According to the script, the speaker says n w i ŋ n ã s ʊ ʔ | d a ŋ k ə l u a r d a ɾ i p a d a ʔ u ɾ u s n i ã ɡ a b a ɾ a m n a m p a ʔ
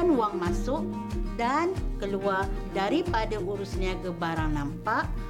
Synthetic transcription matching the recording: n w a ŋ m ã s ʊ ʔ | d a n k ə l u a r d a ɾ i p a d a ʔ u ɾ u s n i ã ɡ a b a ɾ a ŋ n a m p a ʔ